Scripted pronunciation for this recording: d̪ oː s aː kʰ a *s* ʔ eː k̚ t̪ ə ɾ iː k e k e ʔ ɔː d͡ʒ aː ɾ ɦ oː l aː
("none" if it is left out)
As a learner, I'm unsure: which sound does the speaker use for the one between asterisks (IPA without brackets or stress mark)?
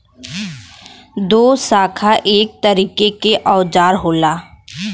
none